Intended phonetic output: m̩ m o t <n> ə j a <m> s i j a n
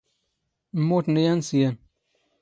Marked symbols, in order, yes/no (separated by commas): yes, no